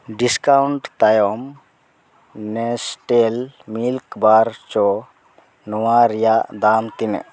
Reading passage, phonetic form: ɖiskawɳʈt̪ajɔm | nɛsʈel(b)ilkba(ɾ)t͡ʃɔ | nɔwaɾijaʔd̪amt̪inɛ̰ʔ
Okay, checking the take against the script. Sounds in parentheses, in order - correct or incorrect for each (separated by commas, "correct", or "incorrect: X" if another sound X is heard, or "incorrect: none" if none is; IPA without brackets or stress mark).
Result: incorrect: m, correct